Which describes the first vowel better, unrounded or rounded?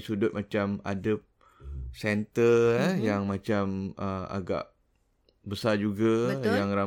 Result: rounded